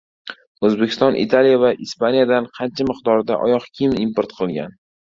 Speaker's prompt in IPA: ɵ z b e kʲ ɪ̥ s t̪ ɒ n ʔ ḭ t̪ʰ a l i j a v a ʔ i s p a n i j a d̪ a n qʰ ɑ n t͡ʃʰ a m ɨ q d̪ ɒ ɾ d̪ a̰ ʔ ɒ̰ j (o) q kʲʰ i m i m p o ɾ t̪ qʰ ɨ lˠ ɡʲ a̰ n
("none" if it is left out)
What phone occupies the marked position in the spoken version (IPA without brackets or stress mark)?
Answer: ɒ